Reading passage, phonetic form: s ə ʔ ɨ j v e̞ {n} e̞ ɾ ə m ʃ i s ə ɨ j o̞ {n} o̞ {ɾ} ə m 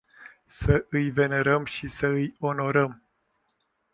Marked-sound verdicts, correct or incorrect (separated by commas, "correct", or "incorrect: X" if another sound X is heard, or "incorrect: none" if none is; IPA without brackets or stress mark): correct, correct, correct